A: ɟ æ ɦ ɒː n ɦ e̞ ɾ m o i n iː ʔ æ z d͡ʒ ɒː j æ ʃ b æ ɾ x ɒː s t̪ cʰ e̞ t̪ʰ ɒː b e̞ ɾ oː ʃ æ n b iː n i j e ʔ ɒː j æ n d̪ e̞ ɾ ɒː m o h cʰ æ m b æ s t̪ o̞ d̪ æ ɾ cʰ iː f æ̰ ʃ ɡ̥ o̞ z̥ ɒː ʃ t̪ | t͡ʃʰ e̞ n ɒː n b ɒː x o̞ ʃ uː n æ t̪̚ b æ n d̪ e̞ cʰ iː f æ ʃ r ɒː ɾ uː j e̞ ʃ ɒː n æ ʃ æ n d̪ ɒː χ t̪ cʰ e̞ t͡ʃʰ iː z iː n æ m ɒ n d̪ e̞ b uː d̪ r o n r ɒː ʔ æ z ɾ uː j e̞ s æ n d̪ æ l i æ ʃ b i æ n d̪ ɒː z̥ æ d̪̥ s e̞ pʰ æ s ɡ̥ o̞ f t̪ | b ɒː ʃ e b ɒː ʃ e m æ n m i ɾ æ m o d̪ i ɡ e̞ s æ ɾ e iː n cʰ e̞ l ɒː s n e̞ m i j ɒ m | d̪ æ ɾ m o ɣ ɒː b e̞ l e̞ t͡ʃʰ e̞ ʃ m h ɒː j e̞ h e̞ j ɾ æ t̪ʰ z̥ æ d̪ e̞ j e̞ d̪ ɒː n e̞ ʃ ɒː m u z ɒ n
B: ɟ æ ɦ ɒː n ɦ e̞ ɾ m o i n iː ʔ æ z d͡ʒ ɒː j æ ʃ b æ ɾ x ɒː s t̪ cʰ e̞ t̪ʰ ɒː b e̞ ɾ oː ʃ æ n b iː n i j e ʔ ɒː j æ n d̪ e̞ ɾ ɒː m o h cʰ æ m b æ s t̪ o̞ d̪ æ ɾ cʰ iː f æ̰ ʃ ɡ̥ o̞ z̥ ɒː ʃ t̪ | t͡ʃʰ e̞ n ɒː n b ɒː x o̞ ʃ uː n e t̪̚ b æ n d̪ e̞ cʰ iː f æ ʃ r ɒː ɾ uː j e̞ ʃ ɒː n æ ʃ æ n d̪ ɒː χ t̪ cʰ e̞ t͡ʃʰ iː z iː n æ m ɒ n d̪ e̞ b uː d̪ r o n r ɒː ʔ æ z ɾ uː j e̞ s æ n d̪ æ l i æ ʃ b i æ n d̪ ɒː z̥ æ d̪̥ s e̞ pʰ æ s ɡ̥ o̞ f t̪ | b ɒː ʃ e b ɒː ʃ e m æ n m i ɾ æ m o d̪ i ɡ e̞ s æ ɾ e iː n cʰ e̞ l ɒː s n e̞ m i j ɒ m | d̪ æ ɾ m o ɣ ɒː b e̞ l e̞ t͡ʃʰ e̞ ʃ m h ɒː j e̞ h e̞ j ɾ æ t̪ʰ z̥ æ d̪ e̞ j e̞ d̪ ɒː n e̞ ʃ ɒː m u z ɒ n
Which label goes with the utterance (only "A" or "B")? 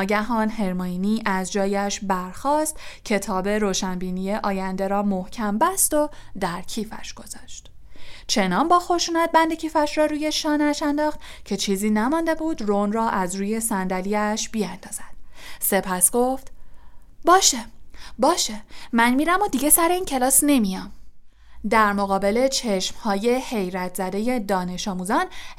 A